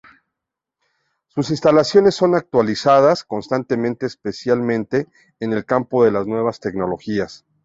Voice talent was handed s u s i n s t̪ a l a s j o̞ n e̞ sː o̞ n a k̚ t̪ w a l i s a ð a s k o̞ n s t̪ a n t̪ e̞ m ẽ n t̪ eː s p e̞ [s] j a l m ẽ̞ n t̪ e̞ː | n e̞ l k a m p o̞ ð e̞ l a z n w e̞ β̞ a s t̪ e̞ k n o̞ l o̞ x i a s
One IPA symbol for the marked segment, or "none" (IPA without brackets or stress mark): s